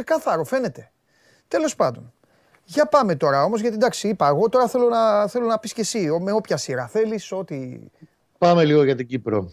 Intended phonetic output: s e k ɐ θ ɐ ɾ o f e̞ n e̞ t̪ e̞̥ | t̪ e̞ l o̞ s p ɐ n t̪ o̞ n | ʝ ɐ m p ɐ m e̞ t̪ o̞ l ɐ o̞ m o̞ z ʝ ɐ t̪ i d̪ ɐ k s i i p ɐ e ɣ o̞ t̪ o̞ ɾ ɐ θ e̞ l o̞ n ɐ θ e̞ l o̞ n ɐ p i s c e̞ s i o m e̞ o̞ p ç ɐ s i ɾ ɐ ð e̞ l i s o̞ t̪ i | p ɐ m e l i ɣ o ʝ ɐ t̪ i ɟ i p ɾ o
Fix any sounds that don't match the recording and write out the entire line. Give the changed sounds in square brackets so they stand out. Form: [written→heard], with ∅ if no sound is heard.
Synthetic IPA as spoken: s e k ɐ θ ɐ ɾ o f e̞ n e̞ t̪ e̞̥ | t̪ e̞ l o̞ s p ɐ n [t̪→d̪] o̞ n | ʝ ɐ [m→∅] p ɐ m e̞ t̪ o̞ [l→ɾ] ɐ o̞ m o̞ z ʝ ɐ t̪ i d̪ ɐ k s i i p ɐ e ɣ o̞ t̪ o̞ ɾ ɐ θ e̞ l o̞ n ɐ θ e̞ l o̞ n ɐ p i s c e̞ s i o m e̞ o̞ p ç ɐ s i ɾ ɐ [ð→θ] e̞ l i s o̞ t̪ i | p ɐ m e l i ɣ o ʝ ɐ t̪ i ɟ i p ɾ o